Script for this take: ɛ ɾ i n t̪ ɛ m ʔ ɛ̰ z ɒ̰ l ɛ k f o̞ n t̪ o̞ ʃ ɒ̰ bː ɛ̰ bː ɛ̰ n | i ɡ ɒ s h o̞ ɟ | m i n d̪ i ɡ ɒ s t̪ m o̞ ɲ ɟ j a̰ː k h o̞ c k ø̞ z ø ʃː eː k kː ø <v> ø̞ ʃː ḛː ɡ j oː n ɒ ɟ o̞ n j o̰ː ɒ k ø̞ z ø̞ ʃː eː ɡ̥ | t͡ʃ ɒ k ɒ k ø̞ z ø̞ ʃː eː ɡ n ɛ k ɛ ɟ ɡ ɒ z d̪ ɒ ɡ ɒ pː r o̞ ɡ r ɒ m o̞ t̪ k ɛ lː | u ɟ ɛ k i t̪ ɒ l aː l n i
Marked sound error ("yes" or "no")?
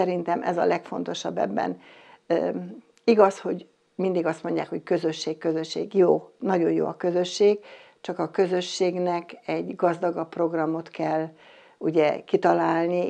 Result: yes